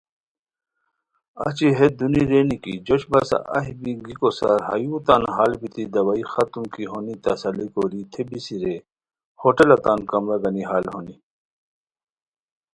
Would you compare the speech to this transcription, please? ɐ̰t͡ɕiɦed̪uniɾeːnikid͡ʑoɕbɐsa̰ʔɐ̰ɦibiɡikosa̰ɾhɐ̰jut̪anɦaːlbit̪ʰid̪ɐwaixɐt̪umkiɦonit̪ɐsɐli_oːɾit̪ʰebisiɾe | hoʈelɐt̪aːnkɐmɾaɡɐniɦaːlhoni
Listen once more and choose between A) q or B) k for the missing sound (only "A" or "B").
B